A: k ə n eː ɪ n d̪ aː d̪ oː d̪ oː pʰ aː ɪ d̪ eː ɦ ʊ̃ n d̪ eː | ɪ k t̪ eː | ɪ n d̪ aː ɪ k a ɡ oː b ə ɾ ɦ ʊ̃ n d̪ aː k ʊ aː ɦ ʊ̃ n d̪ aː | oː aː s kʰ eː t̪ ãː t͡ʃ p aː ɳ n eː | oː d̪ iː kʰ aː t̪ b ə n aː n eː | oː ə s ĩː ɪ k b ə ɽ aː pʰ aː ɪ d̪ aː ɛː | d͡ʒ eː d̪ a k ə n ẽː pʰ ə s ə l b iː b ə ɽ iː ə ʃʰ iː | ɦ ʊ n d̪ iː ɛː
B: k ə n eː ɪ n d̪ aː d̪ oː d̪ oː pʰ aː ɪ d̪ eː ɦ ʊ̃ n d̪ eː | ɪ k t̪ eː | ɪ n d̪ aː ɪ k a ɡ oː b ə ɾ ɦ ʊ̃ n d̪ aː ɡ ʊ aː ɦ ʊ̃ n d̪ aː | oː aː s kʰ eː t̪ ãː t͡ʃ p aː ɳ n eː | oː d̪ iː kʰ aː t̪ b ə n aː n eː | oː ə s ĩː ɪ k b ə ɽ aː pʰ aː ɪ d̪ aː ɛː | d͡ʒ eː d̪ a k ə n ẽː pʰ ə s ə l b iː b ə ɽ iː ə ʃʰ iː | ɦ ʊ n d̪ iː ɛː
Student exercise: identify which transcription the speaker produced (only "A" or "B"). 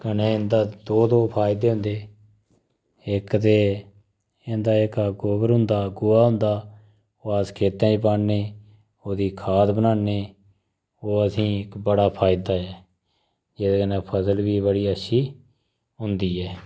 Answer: B